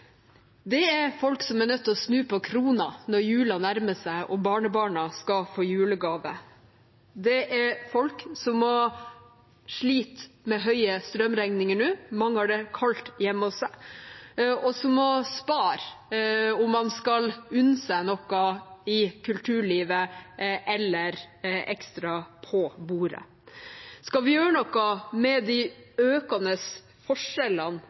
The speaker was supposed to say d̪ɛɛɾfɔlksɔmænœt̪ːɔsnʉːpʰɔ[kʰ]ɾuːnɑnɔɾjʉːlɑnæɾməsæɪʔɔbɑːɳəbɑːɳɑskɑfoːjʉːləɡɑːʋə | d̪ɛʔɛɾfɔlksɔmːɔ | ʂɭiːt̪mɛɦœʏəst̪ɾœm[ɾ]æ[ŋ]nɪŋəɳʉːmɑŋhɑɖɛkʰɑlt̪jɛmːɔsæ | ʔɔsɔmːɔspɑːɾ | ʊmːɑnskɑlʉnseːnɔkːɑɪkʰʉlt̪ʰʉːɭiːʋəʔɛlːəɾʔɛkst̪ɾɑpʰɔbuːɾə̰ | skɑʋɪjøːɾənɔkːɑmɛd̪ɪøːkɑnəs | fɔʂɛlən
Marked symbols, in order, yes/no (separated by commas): yes, yes, yes